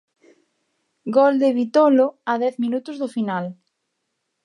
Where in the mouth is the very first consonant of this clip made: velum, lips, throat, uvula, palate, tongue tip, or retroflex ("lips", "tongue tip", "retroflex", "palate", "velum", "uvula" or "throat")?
velum